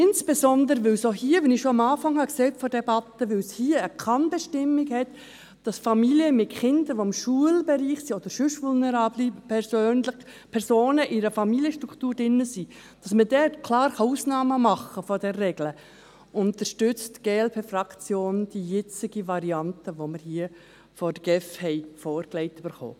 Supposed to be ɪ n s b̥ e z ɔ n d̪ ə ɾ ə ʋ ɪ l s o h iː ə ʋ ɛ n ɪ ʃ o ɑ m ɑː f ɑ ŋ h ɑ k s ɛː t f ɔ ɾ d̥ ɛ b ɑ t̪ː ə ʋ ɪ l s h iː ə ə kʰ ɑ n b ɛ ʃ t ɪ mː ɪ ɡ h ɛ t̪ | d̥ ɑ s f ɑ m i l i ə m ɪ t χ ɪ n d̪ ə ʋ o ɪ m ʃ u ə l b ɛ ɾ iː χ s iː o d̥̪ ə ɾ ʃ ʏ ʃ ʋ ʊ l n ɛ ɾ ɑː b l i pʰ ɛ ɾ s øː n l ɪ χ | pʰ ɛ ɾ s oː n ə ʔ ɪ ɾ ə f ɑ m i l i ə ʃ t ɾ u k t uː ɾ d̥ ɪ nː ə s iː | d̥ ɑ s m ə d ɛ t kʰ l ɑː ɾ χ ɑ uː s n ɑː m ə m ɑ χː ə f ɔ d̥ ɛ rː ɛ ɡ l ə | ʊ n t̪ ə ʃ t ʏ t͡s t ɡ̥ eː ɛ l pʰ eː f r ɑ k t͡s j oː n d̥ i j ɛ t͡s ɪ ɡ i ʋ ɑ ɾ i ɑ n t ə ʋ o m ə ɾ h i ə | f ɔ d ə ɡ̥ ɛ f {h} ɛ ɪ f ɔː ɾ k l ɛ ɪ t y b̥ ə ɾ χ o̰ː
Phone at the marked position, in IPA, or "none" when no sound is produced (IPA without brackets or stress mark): h